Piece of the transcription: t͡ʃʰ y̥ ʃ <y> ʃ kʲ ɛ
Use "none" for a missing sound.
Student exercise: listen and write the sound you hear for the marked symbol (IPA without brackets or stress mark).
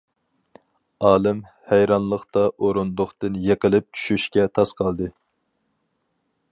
y